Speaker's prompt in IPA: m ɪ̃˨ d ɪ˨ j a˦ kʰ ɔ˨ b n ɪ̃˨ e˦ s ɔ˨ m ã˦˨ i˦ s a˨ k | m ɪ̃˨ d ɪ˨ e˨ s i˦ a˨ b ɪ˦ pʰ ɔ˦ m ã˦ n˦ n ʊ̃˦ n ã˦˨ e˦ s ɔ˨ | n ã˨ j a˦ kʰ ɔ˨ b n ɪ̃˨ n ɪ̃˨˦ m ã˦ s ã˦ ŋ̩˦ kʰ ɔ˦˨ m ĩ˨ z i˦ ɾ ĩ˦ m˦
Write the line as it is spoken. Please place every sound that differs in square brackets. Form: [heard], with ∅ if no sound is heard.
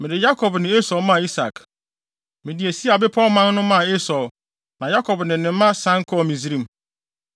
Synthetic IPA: m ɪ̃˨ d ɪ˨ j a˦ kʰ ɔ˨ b n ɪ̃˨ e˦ s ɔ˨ m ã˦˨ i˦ s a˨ k | m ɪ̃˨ d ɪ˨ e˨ s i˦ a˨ b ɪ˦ pʰ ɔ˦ m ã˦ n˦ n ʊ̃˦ [m] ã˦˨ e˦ s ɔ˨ | n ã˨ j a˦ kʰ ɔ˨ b n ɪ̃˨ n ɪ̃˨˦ m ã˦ s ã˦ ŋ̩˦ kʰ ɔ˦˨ m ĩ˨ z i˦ ɾ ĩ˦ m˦